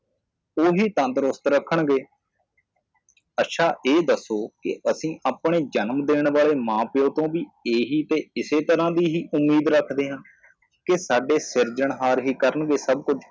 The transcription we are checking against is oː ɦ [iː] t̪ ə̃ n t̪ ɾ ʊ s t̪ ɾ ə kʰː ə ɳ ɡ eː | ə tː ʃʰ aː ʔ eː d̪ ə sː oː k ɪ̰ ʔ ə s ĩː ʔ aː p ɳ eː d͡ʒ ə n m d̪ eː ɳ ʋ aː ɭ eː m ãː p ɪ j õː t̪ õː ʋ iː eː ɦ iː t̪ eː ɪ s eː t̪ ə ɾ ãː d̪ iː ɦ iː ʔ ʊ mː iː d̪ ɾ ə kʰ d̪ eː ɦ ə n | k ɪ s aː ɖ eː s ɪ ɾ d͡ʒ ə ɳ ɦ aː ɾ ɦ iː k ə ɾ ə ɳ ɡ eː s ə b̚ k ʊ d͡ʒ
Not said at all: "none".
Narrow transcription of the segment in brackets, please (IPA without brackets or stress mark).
iː